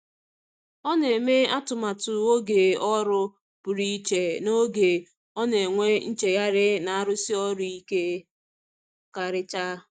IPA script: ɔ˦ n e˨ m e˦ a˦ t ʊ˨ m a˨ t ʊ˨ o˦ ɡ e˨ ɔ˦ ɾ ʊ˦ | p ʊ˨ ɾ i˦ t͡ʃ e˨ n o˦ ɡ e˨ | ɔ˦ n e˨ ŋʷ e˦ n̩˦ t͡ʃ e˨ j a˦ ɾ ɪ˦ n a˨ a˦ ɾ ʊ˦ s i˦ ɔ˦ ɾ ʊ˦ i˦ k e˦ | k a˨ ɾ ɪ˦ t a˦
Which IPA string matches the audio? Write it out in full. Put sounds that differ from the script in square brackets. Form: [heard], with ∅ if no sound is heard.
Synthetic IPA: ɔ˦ n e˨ m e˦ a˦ t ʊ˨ m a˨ t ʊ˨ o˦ ɡ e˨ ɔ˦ ɾ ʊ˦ | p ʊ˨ ɾ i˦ t͡ʃ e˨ n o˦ ɡ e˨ | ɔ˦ n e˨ ŋʷ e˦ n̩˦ t͡ʃ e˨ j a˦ ɾ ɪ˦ n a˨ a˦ ɾ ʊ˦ s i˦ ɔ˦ ɾ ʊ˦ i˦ k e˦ | k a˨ ɾ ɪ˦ [t͡ʃ] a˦

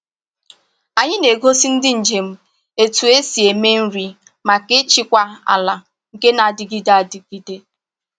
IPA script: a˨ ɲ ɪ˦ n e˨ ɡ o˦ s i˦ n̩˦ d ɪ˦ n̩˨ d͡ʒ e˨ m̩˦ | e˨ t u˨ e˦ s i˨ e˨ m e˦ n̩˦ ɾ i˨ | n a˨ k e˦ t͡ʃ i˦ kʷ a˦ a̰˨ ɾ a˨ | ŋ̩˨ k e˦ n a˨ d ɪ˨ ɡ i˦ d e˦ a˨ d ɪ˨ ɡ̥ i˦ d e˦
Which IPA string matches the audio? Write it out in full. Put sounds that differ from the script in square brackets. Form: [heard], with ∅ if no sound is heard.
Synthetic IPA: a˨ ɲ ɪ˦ n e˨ ɡ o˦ s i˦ n̩˦ d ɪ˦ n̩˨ d͡ʒ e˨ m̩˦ | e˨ t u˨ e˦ s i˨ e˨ m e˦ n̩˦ ɾ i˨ | [m] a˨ k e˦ t͡ʃ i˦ kʷ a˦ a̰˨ [l] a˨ | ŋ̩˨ k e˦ n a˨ d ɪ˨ ɡ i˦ d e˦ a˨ d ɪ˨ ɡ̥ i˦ d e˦

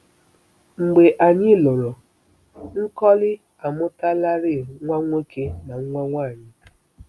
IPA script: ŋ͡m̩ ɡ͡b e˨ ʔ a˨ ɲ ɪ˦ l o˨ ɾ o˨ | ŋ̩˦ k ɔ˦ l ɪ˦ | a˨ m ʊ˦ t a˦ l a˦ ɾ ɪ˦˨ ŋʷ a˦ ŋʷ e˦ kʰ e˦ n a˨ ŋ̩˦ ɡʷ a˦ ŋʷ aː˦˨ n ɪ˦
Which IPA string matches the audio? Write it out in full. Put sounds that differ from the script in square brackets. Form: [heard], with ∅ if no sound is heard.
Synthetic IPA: ŋ͡m̩ ɡ͡b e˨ ʔ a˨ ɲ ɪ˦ l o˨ ɾ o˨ | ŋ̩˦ k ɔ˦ l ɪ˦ | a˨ m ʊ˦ t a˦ l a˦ ɾ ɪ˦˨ ŋʷ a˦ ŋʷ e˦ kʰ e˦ n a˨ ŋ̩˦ [ŋʷ] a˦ ŋʷ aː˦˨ [ɲ] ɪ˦

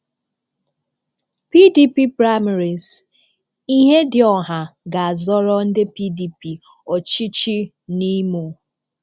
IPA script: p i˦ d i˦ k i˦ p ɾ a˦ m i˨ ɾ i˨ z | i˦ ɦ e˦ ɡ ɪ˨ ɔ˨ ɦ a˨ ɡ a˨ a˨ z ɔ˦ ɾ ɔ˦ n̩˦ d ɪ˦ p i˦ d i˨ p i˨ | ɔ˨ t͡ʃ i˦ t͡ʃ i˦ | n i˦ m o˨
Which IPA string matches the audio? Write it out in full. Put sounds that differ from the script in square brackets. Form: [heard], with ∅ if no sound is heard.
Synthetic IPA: p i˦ d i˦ [p] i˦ p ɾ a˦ m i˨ ɾ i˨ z | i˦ ɦ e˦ [d] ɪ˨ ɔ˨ ɦ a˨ ɡ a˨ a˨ z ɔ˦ ɾ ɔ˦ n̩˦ d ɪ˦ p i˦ d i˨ p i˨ | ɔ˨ t͡ʃ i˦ t͡ʃ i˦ | n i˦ m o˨

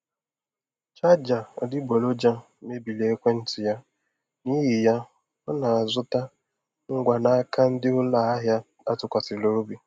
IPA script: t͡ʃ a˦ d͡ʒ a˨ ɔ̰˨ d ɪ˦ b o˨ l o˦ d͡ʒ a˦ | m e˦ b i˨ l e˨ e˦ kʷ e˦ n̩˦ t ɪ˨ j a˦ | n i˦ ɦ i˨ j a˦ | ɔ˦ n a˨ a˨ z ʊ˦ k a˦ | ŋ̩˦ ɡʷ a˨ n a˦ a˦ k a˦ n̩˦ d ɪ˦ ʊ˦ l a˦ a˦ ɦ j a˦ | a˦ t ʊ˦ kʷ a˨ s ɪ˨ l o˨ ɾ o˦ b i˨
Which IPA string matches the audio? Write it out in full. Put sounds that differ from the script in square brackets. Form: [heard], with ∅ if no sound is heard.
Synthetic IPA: t͡ʃ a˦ d͡ʒ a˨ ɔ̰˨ d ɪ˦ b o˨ l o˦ d͡ʒ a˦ | m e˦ b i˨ l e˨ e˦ kʷ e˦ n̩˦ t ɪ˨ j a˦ | n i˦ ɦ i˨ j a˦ | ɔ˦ n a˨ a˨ z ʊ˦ [t] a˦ | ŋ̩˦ ɡʷ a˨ n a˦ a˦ k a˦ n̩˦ d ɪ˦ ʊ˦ l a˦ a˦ ɦ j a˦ | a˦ t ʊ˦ kʷ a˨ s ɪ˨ l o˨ ɾ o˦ b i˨

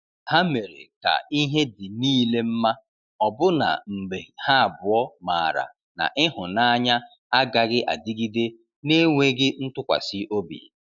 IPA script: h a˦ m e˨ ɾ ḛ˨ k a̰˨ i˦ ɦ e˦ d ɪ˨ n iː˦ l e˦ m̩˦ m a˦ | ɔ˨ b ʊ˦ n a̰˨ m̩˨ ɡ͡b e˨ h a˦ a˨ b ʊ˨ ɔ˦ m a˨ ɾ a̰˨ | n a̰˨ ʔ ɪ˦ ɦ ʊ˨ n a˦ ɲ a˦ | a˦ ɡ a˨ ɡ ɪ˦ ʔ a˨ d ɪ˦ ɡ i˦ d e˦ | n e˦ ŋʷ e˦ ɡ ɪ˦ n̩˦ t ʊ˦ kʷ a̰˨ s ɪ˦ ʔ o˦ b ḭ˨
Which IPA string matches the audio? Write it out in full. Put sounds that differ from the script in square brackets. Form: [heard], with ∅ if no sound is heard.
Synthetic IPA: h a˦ m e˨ ɾ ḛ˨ k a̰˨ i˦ ɦ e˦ d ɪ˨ n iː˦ l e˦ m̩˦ m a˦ | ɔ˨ b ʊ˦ n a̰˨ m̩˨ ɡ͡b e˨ h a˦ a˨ b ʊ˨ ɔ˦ m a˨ ɾ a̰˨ | n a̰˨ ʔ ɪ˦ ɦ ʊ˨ n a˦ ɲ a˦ | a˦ ɡ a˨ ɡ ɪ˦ ʔ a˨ d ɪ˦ ɡ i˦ d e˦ | n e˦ ŋʷ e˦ ɡ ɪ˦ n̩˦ t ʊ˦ kʷ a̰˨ s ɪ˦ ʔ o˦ b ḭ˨

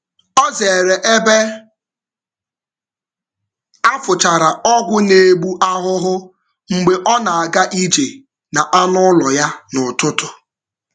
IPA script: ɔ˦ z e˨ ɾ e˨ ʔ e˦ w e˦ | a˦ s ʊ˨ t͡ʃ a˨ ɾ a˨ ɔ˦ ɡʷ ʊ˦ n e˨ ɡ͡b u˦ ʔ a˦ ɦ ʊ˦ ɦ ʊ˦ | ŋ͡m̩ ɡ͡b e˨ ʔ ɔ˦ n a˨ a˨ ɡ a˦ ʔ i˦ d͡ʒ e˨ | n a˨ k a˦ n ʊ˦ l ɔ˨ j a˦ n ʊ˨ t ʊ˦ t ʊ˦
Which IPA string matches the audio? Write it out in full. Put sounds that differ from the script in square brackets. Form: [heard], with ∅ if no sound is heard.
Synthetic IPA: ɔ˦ z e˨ ɾ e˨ ʔ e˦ [b] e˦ | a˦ [f] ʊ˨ t͡ʃ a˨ ɾ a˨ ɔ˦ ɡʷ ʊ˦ n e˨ ɡ͡b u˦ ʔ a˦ ɦ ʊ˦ ɦ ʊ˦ | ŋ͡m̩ ɡ͡b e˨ ʔ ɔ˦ n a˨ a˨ ɡ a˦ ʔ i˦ d͡ʒ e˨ | n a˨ [ʔ] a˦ n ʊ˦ l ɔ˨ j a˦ n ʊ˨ t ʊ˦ t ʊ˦

